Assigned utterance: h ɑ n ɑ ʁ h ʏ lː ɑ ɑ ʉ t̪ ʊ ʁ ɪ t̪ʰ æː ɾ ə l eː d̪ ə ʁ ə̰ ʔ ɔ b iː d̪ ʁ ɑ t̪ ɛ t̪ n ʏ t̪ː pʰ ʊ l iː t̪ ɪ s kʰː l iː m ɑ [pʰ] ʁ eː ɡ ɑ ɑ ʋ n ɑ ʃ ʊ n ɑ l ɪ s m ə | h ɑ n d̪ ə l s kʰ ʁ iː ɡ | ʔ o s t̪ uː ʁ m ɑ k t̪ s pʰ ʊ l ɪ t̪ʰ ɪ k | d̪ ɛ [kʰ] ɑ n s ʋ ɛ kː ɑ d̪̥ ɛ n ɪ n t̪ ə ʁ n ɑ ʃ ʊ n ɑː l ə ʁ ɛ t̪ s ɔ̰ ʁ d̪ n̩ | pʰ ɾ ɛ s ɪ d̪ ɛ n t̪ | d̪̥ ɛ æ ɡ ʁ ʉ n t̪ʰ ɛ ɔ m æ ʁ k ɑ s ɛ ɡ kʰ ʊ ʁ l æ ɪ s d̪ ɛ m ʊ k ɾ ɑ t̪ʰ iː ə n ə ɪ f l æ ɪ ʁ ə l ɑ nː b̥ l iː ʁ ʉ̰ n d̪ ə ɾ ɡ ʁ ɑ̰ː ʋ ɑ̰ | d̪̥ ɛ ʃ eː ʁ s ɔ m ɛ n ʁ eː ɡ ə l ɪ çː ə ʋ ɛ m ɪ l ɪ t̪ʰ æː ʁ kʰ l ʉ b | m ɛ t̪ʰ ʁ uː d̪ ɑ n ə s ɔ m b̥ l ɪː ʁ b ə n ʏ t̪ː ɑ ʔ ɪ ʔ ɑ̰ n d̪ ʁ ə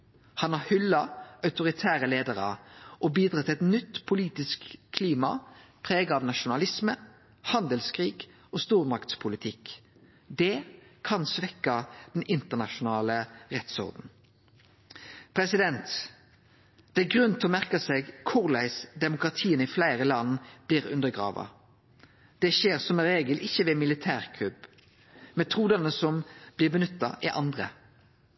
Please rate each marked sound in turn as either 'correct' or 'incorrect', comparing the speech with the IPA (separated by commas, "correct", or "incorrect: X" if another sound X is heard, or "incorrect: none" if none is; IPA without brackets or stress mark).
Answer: correct, correct